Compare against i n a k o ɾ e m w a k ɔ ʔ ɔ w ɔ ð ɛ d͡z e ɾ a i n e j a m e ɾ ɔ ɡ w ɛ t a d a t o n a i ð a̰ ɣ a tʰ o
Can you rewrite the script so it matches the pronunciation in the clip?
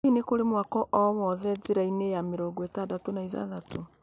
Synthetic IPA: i n e k o ɾ e m w a k ɔ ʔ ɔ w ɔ ð ɛ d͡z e ɾ a i n e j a m e ɾ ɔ ɡ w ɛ t a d a t o n a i ð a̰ ð a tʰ o